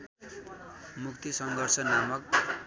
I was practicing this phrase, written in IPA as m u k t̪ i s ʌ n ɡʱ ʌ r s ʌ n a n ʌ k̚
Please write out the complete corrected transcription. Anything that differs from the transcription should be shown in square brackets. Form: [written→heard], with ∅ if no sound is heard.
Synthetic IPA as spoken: m u k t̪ i s ʌ [n→ŋ] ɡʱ ʌ r s ʌ n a [n→m] ʌ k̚